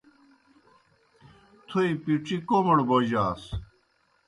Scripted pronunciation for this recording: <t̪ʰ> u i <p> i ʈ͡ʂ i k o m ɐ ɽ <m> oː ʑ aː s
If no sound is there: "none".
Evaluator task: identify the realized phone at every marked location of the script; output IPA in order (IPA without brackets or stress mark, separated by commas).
t̪ʰ, p, b